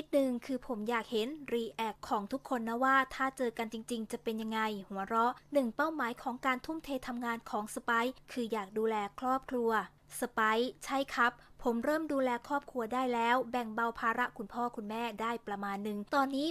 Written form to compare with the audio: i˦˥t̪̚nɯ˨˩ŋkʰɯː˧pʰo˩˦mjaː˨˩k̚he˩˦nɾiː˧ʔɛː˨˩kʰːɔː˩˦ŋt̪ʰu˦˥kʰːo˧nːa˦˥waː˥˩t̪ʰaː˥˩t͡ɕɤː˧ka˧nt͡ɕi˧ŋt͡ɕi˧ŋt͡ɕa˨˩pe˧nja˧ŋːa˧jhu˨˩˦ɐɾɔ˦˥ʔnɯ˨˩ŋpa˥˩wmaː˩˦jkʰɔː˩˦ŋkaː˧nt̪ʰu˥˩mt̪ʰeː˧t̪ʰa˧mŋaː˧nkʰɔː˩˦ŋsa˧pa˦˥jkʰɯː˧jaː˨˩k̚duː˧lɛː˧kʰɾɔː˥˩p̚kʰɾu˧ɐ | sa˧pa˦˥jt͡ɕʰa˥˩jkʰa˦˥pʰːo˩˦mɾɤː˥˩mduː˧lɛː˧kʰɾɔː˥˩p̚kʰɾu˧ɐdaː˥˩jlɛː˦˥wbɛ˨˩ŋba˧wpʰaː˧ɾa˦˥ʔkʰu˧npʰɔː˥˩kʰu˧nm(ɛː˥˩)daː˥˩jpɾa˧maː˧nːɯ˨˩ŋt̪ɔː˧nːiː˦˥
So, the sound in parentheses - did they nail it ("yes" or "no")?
yes